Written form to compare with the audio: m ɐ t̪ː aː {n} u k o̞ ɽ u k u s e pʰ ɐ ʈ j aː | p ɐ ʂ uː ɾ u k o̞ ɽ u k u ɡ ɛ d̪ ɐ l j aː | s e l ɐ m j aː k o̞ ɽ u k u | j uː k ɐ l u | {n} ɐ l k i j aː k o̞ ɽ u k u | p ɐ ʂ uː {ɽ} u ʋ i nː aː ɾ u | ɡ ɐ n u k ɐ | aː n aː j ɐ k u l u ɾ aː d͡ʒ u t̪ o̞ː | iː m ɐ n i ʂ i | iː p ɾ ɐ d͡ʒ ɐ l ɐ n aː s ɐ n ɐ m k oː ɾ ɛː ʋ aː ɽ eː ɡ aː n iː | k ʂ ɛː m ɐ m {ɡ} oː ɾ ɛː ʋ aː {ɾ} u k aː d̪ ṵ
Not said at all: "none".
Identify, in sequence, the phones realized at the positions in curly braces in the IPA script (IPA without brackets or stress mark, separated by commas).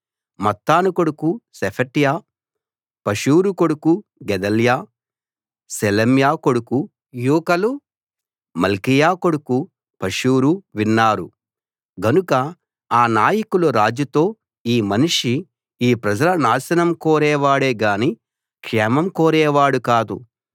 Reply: n, m, ɾ, k, ɽ